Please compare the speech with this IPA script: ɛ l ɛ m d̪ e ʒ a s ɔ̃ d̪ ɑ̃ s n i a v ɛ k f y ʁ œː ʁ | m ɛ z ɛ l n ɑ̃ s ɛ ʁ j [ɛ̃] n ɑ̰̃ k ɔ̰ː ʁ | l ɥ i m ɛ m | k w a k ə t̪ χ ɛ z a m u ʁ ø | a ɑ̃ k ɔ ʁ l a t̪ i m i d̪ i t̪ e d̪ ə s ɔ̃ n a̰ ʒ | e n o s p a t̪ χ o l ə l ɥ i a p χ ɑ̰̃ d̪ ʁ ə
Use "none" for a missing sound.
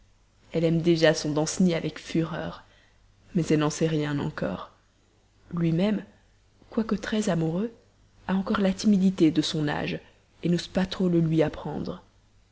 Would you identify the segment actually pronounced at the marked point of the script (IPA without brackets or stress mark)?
ɛ̃